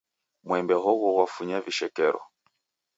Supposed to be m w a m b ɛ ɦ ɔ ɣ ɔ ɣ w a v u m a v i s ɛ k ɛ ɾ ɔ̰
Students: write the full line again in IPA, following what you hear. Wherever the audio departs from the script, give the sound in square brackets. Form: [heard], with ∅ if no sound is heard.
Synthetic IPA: m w [ɛ] m b ɛ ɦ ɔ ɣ ɔ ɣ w a [f] u [ɲ] a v i [ʃ] ɛ k ɛ ɾ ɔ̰